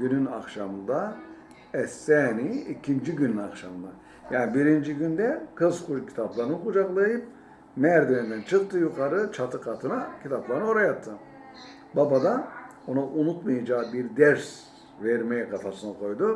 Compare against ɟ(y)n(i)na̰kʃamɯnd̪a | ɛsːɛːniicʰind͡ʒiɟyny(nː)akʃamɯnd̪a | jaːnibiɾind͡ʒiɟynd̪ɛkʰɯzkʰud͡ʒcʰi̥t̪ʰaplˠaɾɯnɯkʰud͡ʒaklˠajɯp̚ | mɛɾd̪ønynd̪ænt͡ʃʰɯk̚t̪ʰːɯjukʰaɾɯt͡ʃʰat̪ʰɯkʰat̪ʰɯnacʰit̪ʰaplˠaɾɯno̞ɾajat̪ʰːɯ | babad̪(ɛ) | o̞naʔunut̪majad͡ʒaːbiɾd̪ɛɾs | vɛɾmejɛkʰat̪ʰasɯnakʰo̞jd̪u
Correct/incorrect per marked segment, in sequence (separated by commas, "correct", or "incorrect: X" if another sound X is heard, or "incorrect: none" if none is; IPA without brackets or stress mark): correct, incorrect: y, incorrect: n, incorrect: a